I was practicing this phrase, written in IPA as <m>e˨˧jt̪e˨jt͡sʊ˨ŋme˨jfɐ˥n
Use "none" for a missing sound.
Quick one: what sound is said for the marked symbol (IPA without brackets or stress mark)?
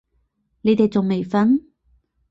n